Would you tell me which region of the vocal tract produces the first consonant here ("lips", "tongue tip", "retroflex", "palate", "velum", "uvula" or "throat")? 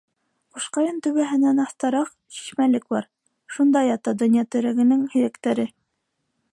uvula